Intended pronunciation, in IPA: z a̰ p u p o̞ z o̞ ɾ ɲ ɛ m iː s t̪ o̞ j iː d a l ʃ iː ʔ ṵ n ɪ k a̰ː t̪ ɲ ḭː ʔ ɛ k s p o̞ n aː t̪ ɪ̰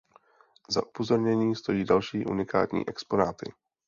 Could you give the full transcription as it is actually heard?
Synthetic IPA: z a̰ ʔ u p o̞ z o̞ ɾ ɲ ɛ ɲ iː s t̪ o̞ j iː d a l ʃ iː ʔ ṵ n ɪ k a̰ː t̪ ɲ ḭː ʔ ɛ k s p o̞ n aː t̪ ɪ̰